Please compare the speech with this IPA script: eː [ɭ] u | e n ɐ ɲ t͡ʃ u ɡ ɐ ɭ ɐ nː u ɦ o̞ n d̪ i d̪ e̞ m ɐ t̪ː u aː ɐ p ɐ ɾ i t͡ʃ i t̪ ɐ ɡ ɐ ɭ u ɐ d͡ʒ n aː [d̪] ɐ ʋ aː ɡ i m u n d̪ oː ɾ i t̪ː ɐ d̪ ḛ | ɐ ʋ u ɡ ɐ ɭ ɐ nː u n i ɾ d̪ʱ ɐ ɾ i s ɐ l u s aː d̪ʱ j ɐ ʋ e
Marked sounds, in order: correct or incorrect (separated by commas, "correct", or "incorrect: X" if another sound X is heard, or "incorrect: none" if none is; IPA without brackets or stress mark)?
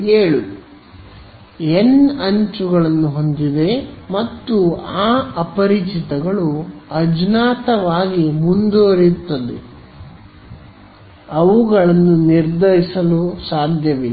correct, incorrect: t̪